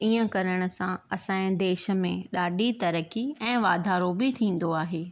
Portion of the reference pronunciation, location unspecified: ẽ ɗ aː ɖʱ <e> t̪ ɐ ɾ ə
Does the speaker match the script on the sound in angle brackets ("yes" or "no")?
no